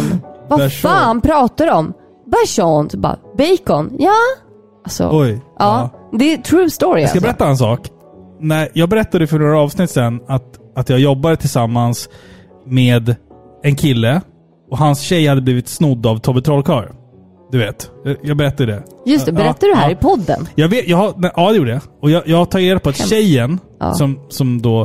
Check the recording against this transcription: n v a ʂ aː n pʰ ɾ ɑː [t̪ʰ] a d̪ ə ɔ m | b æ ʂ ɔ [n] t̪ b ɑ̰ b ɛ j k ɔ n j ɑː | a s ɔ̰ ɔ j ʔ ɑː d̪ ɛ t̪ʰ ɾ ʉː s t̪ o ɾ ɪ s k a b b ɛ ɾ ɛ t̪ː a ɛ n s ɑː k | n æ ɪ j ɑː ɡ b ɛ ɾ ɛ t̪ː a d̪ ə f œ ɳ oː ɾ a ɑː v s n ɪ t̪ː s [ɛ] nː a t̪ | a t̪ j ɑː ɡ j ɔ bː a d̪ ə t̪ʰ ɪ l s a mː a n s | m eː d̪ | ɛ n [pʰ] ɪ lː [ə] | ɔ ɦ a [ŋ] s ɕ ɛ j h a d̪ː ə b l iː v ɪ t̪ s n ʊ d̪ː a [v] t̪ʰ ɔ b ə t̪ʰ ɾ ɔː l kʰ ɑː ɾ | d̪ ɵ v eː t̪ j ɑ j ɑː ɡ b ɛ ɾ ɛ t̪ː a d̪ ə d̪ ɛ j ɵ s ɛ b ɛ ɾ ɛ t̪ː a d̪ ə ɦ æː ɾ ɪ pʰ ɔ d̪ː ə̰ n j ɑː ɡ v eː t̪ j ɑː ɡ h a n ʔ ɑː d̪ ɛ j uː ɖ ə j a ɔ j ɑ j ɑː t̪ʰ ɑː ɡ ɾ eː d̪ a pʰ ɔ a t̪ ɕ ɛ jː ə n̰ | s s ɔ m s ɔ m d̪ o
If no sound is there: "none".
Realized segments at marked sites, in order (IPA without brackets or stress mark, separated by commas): t̪, n, ɛ, kʰ, ə, n, v